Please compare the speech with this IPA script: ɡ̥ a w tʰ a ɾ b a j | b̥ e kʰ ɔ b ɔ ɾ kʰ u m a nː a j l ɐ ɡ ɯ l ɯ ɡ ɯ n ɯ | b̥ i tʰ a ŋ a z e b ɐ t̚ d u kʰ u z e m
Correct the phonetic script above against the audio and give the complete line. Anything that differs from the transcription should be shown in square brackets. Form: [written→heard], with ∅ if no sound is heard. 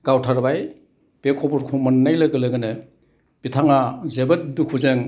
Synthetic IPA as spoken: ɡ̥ a w tʰ a ɾ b a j | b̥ e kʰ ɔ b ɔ ɾ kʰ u m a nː a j l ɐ ɡ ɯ l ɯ ɡ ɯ n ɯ | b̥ i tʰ a ŋ a z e b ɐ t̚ d u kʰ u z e [m→ŋ]